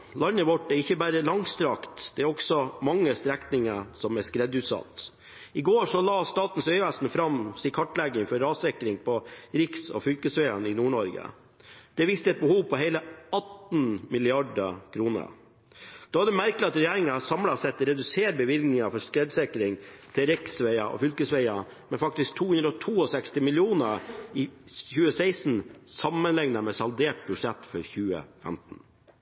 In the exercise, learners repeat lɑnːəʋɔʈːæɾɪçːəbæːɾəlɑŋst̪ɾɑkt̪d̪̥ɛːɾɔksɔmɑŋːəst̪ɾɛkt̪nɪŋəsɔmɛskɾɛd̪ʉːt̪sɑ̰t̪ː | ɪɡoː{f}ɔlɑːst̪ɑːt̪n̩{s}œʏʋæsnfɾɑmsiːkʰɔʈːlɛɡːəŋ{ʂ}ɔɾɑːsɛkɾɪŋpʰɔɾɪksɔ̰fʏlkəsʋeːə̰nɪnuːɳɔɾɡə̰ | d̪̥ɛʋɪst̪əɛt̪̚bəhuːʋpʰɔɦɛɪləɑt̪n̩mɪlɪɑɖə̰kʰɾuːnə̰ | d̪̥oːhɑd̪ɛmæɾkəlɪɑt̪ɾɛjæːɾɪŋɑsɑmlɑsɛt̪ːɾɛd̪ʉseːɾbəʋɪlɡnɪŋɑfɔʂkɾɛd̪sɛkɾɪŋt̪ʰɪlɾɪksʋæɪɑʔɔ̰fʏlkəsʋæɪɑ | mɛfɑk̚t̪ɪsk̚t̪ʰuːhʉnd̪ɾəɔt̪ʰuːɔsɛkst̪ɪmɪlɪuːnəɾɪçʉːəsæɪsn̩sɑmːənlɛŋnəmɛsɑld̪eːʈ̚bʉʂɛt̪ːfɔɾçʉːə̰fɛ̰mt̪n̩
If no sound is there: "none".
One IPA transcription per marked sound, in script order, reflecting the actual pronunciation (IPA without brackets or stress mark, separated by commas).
ʂ, s, f